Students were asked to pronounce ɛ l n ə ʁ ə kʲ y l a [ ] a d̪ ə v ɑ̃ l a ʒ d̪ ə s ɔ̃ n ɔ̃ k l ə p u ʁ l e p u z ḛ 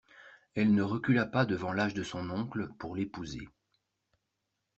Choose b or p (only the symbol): p